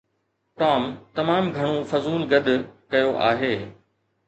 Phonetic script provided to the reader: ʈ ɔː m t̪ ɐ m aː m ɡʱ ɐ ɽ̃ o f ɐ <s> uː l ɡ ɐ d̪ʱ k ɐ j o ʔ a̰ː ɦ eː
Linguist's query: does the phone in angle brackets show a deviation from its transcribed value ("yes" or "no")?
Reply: yes